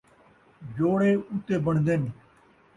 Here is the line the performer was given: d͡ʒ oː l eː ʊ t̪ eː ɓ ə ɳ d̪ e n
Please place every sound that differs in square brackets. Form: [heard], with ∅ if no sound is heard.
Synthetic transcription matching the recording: d͡ʒ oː [ɽ] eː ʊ t̪ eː [b] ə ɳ d̪ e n